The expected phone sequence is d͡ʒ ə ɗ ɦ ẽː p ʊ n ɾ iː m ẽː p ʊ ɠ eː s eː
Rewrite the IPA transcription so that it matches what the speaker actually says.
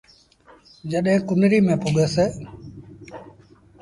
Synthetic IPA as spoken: d͡ʒ ə ɗ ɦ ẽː k ʊ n ɾ iː m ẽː p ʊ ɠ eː s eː